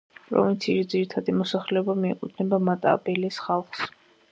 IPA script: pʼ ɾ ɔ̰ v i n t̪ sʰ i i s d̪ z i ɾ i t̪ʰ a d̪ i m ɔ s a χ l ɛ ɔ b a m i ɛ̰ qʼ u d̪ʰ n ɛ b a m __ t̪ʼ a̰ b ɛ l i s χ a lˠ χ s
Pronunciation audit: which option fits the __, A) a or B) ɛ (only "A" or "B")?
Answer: A